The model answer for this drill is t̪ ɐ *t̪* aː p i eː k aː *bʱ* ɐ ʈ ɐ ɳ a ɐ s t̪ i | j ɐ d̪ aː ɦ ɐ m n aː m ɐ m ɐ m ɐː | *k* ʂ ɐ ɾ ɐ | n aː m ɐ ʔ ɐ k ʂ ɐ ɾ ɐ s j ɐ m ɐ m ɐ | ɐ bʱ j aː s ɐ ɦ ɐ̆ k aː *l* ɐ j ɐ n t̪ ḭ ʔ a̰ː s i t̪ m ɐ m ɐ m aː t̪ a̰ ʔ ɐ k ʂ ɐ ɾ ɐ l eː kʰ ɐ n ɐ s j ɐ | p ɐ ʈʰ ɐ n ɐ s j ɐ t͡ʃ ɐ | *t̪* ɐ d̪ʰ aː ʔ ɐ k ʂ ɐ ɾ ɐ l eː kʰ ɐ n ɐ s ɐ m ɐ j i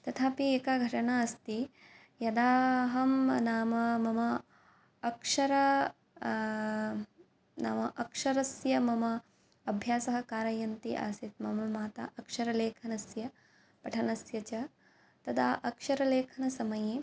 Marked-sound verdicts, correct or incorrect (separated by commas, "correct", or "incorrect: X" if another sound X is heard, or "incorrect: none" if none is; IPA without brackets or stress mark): incorrect: t̪ʰ, incorrect: ɡʱ, correct, incorrect: ɾ, correct